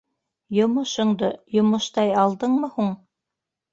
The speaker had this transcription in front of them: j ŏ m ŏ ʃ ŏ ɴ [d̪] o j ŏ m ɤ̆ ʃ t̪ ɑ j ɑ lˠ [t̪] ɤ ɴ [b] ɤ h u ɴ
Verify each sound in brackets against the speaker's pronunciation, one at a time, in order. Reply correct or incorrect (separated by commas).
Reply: correct, incorrect, incorrect